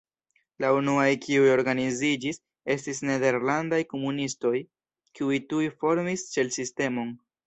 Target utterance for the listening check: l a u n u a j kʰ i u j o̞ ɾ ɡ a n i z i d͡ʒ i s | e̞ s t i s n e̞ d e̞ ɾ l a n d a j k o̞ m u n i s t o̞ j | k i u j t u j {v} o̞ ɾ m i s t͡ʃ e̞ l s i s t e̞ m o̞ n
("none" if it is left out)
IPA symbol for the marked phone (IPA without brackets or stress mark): f